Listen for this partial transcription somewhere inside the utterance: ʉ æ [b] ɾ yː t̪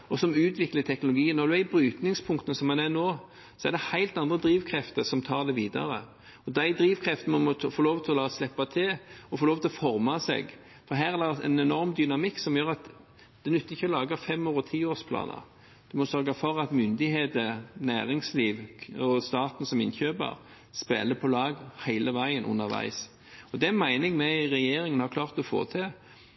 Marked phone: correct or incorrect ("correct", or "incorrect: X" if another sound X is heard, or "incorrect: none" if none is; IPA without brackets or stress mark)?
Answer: correct